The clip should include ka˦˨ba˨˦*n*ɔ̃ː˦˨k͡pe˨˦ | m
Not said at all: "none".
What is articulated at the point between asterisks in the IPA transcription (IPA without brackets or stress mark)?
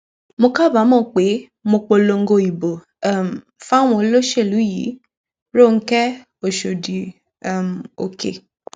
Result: m